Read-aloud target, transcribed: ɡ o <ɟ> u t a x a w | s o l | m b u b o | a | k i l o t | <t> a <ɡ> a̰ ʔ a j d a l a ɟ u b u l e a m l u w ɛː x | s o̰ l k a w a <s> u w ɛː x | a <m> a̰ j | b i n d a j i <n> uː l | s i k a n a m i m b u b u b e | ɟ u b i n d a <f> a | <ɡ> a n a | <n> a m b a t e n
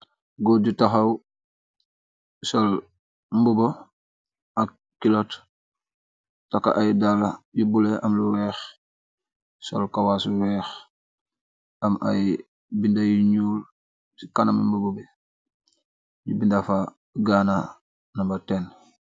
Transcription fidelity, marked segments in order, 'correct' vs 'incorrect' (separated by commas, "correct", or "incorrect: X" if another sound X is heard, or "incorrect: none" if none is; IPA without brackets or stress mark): correct, correct, incorrect: k, correct, correct, incorrect: ɲ, correct, correct, correct